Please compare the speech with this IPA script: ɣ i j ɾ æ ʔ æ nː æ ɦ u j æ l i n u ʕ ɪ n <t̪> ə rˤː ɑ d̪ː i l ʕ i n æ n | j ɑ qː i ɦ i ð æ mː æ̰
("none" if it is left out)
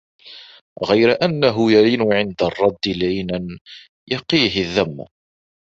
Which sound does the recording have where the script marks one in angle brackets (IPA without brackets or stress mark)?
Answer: d̪